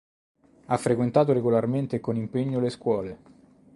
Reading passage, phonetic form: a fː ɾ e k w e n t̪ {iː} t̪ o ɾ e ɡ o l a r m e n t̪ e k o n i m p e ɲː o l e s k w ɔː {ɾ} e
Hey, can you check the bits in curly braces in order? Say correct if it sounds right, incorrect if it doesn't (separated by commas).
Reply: incorrect, incorrect